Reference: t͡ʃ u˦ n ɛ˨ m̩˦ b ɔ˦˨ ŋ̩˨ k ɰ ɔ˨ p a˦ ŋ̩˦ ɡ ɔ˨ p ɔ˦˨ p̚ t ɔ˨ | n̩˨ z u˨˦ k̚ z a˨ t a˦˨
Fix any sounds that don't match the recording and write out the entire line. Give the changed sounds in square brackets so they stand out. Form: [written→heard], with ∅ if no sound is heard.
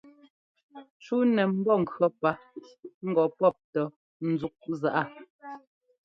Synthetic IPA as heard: t͡ʃ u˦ n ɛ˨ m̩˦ b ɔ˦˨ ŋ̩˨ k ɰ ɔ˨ p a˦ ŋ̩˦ ɡ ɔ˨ p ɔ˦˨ p̚ t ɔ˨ | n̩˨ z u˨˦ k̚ z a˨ [t→ʔ] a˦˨